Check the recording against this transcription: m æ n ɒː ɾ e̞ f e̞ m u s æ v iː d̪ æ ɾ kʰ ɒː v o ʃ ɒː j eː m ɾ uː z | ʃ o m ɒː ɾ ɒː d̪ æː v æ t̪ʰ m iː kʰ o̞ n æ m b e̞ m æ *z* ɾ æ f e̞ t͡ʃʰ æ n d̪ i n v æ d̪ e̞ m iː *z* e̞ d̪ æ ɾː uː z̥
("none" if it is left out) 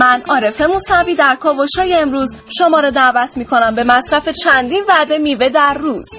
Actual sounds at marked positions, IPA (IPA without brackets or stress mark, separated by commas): s, v